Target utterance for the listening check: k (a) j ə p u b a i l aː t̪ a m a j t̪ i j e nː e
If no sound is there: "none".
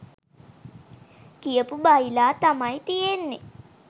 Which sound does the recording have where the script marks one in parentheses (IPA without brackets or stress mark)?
i